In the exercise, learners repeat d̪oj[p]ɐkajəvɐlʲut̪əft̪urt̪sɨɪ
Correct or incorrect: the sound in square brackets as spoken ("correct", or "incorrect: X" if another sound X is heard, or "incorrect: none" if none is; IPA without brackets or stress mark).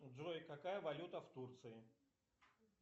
incorrect: k